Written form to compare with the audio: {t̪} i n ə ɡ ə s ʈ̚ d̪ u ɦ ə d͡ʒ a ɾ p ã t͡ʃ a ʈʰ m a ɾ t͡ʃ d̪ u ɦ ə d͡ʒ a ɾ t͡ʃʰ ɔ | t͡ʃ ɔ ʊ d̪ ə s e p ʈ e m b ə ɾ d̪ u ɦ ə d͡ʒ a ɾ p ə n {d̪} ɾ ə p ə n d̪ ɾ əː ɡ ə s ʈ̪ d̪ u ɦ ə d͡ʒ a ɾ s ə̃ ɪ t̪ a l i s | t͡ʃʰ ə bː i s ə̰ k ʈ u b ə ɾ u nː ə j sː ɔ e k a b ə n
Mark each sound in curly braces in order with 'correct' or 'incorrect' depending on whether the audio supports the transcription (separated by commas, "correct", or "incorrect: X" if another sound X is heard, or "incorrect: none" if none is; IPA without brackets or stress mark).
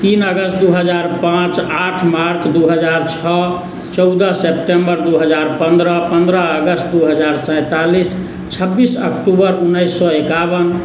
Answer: correct, correct